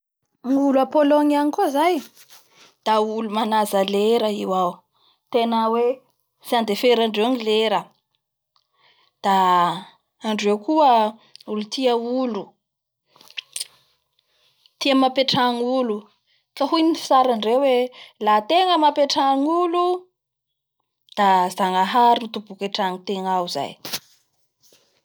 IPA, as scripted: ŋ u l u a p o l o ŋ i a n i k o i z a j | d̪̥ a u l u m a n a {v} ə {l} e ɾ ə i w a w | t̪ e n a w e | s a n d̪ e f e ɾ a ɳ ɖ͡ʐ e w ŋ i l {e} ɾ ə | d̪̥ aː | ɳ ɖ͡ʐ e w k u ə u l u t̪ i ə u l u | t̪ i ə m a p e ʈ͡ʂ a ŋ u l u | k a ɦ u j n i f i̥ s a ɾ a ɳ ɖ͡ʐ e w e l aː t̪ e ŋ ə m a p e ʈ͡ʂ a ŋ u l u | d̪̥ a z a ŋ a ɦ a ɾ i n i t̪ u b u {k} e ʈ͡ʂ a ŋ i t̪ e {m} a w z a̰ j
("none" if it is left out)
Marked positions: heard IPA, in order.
z, l, e, k, ŋ

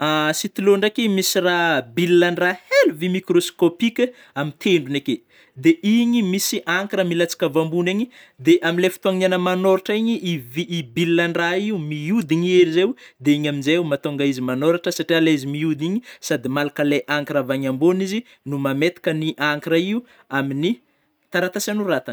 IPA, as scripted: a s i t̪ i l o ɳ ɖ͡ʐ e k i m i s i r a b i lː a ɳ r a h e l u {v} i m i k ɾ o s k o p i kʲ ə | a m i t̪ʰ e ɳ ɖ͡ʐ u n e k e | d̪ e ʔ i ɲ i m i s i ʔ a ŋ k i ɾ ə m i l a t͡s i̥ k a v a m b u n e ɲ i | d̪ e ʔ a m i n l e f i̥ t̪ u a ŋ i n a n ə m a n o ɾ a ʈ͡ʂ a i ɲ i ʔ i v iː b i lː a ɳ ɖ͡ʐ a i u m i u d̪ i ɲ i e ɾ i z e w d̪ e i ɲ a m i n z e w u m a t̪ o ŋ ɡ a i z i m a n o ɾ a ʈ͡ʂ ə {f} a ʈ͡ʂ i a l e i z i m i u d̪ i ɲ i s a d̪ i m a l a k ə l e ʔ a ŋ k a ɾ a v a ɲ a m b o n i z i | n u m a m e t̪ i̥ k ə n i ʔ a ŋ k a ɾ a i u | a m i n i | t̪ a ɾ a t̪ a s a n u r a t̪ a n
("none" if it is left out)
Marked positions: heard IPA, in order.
v, s

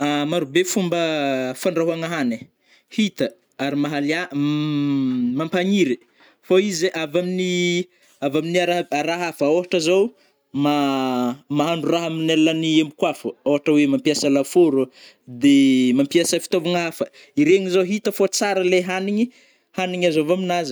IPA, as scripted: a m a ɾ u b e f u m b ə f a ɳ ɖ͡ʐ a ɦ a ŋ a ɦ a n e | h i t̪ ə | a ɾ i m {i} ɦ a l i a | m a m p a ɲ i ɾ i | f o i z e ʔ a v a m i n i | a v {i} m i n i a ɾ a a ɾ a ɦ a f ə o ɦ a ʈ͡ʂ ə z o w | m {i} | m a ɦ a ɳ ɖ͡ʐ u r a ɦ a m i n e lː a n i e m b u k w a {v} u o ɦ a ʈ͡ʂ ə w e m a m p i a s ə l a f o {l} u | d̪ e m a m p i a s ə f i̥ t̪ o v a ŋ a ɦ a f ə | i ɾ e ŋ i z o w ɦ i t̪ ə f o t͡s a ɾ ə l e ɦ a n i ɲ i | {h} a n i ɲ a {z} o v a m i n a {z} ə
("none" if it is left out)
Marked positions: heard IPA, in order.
a, a, a, f, ɾ, h, z, z

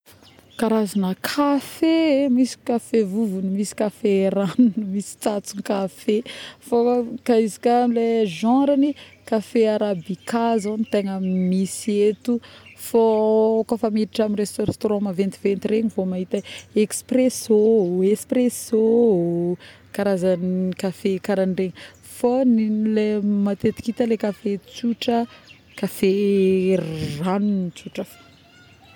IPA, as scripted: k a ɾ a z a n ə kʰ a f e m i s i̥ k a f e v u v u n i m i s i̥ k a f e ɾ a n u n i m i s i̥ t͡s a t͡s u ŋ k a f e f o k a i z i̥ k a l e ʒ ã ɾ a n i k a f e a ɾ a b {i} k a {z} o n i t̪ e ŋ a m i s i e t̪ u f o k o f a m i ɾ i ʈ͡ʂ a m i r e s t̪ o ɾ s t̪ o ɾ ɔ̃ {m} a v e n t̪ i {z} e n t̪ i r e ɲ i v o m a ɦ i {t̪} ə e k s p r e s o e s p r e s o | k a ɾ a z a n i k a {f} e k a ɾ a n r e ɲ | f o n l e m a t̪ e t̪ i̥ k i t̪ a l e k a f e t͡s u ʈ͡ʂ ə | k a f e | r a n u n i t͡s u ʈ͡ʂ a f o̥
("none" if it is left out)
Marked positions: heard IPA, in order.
i, z, m, v, t̪, f

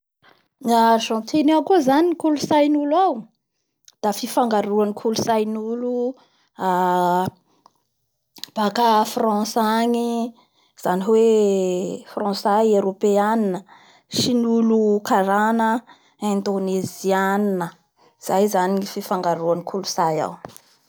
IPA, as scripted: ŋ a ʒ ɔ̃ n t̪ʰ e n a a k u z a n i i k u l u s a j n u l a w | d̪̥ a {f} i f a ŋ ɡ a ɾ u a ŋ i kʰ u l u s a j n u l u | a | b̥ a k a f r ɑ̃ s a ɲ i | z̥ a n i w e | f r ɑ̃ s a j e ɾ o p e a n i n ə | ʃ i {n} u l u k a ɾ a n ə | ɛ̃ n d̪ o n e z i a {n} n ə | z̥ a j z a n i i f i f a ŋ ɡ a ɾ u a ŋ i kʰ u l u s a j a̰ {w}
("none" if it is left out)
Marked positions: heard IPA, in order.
f, n, n, w

